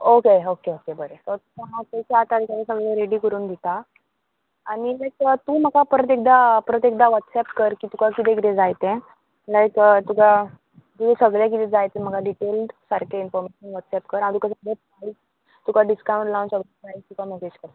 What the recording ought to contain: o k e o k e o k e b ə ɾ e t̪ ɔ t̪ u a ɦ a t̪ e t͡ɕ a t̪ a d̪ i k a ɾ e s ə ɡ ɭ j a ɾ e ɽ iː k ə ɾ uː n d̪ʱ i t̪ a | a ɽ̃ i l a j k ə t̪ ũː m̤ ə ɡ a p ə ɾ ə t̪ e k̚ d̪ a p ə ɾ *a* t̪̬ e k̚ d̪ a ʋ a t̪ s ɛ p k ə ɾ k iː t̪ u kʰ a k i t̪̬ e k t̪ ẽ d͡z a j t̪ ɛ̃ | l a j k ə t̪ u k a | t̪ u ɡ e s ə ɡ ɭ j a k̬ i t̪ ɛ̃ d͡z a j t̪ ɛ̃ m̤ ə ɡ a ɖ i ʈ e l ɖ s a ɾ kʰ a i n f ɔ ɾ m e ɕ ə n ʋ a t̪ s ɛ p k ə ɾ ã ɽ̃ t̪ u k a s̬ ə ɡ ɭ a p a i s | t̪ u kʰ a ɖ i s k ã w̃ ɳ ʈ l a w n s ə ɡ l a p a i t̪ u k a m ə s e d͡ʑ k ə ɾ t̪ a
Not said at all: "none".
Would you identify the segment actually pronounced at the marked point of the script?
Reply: ə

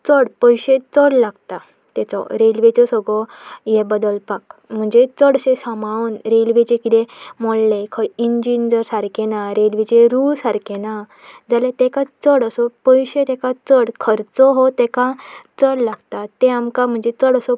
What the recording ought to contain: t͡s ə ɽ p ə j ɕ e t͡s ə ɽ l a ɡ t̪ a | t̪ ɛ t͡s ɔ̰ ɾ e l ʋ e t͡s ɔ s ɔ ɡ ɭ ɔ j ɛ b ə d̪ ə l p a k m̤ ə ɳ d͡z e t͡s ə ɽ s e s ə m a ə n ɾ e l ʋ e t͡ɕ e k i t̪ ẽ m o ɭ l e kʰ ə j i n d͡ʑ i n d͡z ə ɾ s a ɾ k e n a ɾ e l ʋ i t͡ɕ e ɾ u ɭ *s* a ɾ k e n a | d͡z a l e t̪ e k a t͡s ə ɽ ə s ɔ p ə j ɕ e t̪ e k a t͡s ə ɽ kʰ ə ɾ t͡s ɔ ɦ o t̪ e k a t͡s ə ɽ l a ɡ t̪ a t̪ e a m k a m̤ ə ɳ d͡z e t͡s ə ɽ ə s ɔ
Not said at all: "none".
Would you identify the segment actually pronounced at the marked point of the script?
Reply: s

